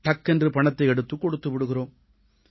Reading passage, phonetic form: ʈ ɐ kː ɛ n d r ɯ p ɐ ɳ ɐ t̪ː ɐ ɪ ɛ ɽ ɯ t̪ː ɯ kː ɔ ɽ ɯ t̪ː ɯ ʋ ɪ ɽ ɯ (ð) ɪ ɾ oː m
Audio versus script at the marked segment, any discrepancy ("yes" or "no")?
yes